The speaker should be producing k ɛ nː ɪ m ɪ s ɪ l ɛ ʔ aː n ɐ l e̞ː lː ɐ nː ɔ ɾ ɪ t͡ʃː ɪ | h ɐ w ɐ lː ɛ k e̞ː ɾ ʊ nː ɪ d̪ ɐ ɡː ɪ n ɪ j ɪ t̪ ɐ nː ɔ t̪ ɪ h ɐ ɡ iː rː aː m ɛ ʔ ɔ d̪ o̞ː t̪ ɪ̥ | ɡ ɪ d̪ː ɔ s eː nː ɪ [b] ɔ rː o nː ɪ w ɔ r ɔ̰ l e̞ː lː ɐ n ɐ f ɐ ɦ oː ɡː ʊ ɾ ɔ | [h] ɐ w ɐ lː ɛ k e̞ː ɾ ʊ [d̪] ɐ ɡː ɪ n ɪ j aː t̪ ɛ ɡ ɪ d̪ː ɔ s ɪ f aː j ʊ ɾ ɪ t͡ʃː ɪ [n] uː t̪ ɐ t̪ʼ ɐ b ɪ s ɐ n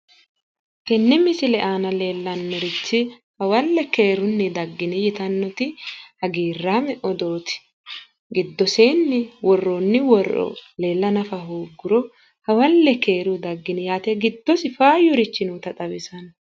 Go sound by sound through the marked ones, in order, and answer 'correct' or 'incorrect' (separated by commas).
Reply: incorrect, correct, correct, correct